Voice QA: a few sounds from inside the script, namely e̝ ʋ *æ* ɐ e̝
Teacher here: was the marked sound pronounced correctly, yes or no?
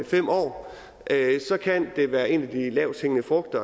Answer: no